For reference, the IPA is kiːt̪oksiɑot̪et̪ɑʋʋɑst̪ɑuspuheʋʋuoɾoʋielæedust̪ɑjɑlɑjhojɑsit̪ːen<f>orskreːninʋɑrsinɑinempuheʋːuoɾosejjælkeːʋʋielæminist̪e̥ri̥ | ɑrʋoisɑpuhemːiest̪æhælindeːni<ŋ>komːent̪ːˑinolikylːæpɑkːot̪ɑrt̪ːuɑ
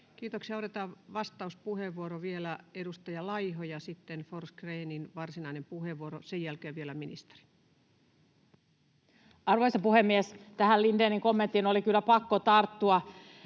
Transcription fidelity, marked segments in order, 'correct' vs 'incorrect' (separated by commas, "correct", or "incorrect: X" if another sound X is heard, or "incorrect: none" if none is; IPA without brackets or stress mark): correct, correct